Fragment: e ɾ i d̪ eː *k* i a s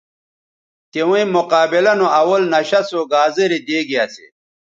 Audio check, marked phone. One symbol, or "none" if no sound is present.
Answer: ɡ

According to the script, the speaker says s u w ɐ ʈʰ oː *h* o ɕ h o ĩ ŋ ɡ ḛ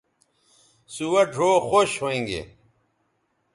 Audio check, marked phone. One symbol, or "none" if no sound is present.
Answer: x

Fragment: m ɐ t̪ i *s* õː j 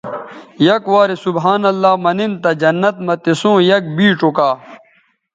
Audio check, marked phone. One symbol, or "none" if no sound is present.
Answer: s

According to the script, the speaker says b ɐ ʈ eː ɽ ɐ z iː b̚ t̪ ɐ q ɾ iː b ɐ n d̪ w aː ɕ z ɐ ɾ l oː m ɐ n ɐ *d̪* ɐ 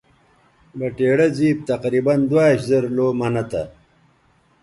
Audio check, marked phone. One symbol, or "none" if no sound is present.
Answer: t̪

